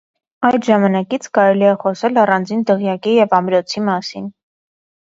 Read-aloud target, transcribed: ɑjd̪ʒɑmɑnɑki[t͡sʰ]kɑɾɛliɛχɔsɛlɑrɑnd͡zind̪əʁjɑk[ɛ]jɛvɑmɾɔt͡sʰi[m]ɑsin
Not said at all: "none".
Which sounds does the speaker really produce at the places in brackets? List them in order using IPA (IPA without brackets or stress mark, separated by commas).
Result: t͡sʰ, i, m